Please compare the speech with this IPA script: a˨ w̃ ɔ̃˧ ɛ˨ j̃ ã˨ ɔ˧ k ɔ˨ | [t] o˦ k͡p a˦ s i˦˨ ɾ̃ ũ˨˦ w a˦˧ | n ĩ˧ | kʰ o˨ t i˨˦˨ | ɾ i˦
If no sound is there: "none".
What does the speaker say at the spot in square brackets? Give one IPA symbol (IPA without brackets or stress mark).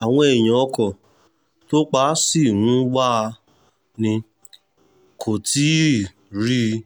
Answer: t